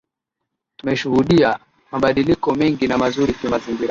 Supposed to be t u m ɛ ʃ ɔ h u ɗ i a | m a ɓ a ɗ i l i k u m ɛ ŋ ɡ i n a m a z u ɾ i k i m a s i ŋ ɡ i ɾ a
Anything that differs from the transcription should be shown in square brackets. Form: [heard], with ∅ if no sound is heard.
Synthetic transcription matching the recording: t u m ɛ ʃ [u] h u ɗ i a | m a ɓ a ɗ i l i k [ɔ] m ɛ ŋ ɡ i n a m a z u ɾ i k i m a [z] i ŋ ɡ i ɾ a